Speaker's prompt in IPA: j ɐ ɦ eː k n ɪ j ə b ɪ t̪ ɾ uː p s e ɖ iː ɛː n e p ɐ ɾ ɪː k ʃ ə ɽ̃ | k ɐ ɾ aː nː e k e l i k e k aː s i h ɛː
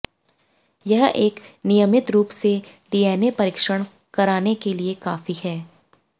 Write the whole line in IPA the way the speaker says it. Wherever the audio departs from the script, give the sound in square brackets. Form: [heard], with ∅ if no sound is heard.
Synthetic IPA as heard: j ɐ ɦ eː k n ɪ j ə [m] ɪ t̪ ɾ uː p s e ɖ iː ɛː n e p ɐ ɾ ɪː k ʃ ə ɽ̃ | k ɐ ɾ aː [n] e k e l i [∅] e k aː [f] i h ɛː